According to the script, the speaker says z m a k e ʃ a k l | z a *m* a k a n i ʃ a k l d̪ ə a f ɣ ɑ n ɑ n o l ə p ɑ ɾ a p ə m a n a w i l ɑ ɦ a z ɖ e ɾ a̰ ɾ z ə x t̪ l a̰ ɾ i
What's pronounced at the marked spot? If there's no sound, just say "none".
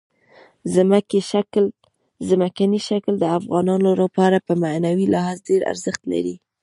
m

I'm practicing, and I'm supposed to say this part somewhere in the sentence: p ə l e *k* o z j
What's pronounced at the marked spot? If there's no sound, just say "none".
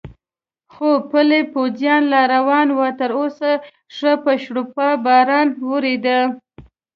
p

